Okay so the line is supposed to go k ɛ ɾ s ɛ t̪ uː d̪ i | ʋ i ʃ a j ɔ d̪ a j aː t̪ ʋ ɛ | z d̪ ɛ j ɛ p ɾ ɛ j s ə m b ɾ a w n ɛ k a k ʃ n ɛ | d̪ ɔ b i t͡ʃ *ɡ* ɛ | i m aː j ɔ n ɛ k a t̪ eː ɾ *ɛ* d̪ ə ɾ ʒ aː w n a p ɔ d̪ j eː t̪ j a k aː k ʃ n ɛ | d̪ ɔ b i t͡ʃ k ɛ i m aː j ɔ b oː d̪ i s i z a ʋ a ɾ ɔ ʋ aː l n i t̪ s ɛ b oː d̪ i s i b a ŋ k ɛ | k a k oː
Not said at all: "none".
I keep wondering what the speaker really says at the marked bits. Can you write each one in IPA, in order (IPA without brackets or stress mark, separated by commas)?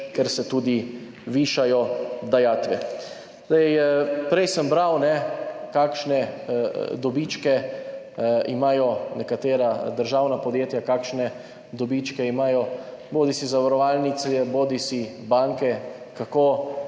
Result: k, a